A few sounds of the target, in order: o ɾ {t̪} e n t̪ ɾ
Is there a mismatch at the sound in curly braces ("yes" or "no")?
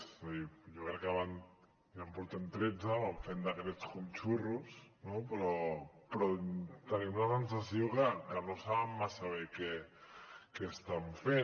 no